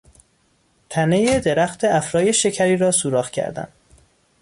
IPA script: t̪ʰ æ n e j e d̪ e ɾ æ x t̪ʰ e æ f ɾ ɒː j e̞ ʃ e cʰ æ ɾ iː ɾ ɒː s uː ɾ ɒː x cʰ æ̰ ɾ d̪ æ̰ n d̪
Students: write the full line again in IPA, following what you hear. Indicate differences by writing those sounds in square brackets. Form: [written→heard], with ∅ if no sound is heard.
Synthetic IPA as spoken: t̪ʰ æ n e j e d̪ e ɾ æ x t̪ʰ e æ f ɾ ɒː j e̞ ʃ e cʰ æ ɾ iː ɾ ɒː s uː ɾ ɒː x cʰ æ̰ ɾ d̪ æ̰ n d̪

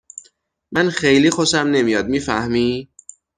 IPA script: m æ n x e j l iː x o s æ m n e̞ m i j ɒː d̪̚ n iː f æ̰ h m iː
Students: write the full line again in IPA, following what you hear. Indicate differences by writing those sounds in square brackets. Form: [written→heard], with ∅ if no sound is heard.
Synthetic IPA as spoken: m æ n x e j l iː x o s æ m n e̞ m i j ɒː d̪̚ [n→m] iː f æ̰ h m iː

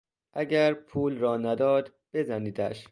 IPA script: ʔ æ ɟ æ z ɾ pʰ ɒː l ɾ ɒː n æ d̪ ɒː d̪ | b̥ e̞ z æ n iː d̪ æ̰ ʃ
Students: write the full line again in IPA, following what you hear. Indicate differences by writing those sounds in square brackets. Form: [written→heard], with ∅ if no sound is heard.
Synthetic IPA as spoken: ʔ æ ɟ æ [z→∅] ɾ pʰ [ɒː→uː] l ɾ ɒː n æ d̪ ɒː d̪ | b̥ e̞ z æ n iː d̪ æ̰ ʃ

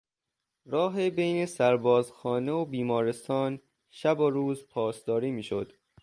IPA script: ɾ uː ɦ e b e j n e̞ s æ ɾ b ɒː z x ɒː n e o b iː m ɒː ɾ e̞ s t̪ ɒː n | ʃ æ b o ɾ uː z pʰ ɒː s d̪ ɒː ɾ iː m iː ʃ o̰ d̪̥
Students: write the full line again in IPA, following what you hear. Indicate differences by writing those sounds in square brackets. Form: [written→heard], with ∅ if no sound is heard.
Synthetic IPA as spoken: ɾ [uː→ɒː] ɦ e b e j n e̞ s æ ɾ b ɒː z x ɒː n e o b iː m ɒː ɾ e̞ s t̪ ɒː n | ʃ æ b o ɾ uː z pʰ ɒː s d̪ ɒː ɾ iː m iː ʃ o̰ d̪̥

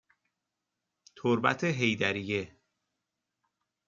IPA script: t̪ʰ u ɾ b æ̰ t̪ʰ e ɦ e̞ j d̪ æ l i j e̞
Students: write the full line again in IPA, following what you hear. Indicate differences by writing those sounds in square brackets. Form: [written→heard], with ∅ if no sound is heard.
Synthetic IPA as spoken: t̪ʰ [u→o] ɾ b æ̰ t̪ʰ e ɦ e̞ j d̪ æ [l→ɾ] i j e̞

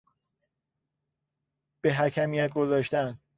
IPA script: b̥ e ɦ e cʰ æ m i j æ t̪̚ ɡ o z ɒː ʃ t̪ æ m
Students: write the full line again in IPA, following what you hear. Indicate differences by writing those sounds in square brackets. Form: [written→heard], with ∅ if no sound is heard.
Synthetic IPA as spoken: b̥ e ɦ [e→æ] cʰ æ m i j æ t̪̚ ɡ o z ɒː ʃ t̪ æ [m→n]

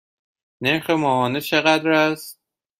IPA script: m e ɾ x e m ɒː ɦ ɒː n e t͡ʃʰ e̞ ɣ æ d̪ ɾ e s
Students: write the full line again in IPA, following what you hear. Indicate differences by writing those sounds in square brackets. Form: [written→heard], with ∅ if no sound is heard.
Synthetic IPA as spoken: [m→n] e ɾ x e m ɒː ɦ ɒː n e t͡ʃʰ e̞ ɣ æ d̪ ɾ [e→æ] s

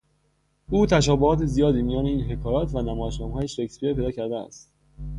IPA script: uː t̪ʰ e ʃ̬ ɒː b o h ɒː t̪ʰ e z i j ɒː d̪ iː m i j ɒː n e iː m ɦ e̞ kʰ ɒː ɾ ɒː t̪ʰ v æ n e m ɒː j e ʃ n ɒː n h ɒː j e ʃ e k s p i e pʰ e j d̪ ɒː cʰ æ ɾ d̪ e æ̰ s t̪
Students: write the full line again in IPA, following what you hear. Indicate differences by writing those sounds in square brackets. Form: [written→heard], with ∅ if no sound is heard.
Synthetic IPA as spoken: uː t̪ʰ [e→æ] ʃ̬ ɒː b o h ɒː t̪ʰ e z i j ɒː d̪ iː m i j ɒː n e iː [m→n] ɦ e̞ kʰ ɒː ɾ ɒː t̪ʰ v æ n [e→æ] m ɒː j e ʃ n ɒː [n→m] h ɒː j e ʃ e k s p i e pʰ e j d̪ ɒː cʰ æ ɾ d̪ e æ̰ s t̪

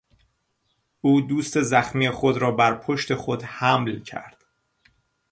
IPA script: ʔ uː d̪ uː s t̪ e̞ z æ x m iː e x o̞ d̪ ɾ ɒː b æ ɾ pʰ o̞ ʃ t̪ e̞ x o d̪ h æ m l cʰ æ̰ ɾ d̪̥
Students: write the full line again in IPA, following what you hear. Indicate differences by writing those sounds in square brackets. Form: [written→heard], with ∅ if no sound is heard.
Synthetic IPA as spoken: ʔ uː d̪ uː s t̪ e̞ z æ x m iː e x o̞ d̪ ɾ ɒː b æ ɾ pʰ o̞ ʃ t̪ e̞ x o d̪ h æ m l cʰ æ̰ ɾ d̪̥

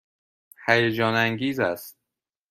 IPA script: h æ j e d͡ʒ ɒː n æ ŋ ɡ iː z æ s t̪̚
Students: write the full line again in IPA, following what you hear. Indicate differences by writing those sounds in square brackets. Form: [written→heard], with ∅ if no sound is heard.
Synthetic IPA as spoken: h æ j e d͡ʒ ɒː n æ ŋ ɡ iː z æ s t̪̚

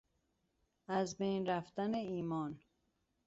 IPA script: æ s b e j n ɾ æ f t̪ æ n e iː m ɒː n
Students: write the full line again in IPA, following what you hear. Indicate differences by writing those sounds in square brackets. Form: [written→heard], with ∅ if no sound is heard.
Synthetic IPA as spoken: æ [s→z] b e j n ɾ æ f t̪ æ n e iː m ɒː n

